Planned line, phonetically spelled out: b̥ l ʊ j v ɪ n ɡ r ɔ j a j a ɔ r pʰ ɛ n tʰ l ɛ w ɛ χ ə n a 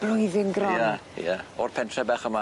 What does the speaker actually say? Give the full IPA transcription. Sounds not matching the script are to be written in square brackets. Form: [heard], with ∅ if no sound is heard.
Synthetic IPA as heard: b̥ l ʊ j [ð] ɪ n ɡ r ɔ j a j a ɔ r pʰ ɛ n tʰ [r] ɛ [b] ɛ χ ə [m] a

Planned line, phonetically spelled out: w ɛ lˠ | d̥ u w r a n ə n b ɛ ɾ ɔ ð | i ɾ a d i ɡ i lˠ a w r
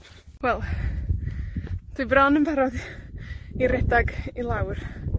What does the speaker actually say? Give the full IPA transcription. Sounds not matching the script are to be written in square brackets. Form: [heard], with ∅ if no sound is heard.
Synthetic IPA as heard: w ɛ lˠ | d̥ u [b] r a n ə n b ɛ ɾ ɔ ð | i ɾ [ɛ] d [a] ɡ i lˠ a w r

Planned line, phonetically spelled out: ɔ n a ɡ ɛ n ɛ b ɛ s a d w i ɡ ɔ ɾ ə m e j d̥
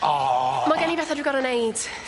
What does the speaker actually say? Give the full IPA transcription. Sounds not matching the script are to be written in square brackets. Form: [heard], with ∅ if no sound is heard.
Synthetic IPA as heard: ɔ [m] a ɡ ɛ n [i] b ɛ [θ] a d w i ɡ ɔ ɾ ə [n] e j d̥

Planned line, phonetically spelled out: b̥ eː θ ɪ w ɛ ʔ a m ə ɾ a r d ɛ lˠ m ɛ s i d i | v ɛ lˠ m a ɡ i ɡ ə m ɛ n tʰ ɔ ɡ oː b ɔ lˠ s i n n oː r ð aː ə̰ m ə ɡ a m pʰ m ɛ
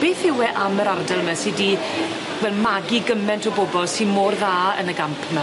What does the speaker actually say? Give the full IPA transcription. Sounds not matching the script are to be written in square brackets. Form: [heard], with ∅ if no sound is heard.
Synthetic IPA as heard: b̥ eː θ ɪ w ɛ ʔ a m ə ɾ a r d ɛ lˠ m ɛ s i d i | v ɛ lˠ m a ɡ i ɡ ə m ɛ n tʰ ɔ [b] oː b ɔ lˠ s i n [m] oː r ð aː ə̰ [n] ə ɡ a m pʰ m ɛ

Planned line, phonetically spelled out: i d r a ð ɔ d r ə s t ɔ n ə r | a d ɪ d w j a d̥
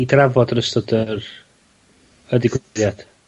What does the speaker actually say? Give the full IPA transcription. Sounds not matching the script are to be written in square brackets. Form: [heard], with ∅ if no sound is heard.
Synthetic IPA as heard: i d r a [v] ɔ d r ə s t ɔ [d] ə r | [ə] d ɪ [ɡ] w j a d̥

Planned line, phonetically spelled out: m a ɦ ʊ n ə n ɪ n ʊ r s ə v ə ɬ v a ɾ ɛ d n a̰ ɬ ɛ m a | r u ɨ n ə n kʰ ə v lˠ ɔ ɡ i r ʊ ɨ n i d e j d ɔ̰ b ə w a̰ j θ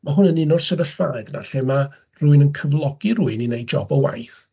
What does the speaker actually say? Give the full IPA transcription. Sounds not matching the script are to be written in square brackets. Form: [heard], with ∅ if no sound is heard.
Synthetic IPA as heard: m a ɦ ʊ n ə n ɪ n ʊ r s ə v ə ɬ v a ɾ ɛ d n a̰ ɬ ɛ m a | r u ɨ n ə n kʰ ə v lˠ ɔ ɡ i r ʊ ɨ n i [n] e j [d͡ʒ] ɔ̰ b ə w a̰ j θ

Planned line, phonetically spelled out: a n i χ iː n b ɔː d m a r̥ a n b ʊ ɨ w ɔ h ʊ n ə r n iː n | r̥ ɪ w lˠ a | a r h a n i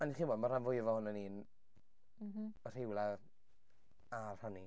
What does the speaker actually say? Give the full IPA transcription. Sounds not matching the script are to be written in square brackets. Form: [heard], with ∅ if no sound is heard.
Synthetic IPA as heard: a n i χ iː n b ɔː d m a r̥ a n [v] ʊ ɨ [v] ɔ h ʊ n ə [∅] n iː n | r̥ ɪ w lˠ a | a r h a n i

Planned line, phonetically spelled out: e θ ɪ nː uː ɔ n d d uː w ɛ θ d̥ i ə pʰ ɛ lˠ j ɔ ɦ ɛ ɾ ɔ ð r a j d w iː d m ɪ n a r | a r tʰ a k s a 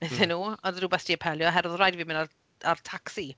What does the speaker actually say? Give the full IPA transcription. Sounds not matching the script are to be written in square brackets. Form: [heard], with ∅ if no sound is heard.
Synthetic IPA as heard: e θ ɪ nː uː ɔ n d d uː [b] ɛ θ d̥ i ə pʰ ɛ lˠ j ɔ ɦ ɛ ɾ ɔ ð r a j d [v] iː [∅] m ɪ n a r | a r tʰ a k s [i]

